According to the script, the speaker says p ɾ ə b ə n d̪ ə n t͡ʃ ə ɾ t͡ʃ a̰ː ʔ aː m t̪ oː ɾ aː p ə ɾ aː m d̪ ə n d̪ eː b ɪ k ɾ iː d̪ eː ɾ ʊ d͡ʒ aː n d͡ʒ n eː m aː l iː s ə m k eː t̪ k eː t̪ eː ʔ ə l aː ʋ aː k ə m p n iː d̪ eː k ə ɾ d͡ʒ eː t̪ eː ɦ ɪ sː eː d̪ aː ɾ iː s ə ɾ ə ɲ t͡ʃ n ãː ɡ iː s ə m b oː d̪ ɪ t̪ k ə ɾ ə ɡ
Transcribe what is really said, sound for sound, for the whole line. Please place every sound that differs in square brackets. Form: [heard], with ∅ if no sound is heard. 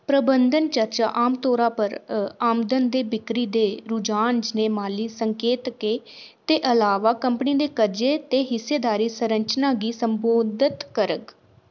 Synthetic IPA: p ɾ ə b ə n d̪ ə n t͡ʃ ə ɾ t͡ʃ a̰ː ʔ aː m t̪ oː ɾ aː p ə ɾ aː m d̪ ə n d̪ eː b ɪ k ɾ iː d̪ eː ɾ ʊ d͡ʒ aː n d͡ʒ n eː m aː l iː s ə [ŋ] k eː t̪ k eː t̪ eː ʔ ə l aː ʋ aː k ə m p n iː d̪ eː k ə ɾ d͡ʒ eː t̪ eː ɦ ɪ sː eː d̪ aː ɾ iː s ə ɾ ə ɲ t͡ʃ n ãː ɡ iː s ə m b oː d̪ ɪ t̪ k ə ɾ ə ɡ